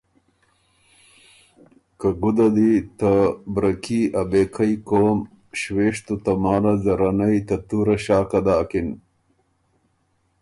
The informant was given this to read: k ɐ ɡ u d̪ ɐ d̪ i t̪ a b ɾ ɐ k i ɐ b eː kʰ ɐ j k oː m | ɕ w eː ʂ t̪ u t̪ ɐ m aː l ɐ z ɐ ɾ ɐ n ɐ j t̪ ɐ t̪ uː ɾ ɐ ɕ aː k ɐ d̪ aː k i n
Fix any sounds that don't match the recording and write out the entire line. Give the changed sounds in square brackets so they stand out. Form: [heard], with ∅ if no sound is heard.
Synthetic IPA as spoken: k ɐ ɡ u d̪ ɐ d̪ i t̪ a b ɾ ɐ k i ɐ b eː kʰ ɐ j k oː m | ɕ w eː ʂ t̪ u t̪ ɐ m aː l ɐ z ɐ ɾ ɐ n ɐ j t̪ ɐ t̪ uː ɾ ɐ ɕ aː k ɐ d̪ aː k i n